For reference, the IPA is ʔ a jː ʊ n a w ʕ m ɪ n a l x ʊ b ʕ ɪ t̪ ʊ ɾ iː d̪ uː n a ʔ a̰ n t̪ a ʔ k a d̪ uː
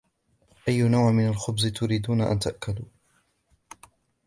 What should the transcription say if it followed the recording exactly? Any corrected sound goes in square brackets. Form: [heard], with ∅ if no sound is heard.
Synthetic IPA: ʔ a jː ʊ n a w ʕ m ɪ n a l x ʊ b [z] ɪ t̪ ʊ ɾ iː d̪ uː n a ʔ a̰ n t̪ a ʔ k a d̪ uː